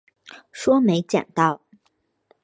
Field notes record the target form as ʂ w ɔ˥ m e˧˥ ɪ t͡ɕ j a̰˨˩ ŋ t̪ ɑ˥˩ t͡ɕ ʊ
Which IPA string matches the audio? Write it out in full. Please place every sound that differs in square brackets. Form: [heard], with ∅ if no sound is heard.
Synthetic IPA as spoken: ʂ w ɔ˥ m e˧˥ ɪ t͡ɕ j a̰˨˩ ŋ t̪ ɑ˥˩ [∅] ʊ